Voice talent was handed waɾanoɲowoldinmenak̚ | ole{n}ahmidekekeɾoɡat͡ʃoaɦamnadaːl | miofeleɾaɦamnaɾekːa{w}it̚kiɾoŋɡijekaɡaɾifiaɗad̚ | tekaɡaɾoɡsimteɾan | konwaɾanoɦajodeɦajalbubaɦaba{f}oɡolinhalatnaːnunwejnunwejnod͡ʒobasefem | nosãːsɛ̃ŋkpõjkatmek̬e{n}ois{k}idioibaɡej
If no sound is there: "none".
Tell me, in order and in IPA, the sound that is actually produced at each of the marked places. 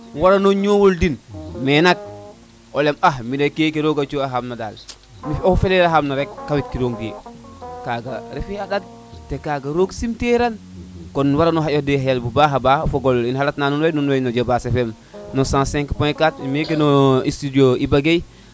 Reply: m, w, f, n, t

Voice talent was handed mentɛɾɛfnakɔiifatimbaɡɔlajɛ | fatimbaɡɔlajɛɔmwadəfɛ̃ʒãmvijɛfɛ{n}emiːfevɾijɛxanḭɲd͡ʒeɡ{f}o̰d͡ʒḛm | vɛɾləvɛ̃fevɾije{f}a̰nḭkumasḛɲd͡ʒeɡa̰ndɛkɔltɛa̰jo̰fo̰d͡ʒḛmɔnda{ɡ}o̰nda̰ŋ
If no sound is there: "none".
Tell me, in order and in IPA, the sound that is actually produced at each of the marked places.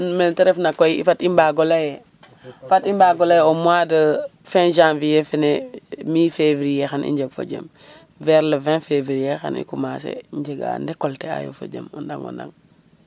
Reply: n, f, x, ŋ

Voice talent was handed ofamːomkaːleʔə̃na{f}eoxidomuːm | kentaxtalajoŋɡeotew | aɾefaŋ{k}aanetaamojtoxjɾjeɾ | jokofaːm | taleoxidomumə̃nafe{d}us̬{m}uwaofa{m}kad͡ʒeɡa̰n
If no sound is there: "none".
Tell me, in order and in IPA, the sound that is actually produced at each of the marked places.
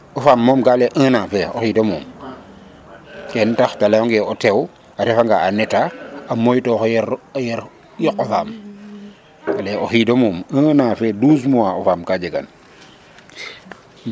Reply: f, ɡ, d, m, m

